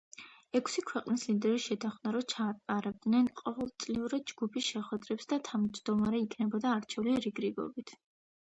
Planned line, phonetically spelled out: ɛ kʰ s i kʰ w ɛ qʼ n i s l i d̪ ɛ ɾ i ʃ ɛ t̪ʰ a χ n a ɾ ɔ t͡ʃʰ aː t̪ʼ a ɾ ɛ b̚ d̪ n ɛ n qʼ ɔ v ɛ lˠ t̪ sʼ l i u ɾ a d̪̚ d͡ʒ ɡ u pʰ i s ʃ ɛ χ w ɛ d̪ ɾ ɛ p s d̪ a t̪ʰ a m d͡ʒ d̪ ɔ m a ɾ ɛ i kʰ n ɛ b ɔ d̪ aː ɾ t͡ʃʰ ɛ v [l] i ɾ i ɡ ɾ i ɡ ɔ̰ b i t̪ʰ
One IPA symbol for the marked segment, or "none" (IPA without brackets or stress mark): l